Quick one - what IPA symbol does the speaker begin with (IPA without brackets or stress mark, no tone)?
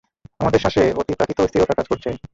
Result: a